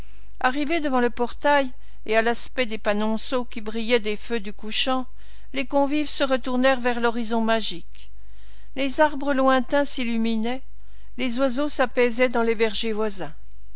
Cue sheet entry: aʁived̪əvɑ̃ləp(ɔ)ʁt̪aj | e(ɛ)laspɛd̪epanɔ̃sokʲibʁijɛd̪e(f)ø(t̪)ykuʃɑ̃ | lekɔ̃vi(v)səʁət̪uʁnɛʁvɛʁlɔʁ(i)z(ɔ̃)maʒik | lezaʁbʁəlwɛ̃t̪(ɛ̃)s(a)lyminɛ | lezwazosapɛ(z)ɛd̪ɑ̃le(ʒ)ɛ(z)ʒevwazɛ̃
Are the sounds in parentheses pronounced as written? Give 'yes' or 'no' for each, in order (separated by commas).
yes, no, yes, no, yes, yes, yes, yes, no, yes, no, no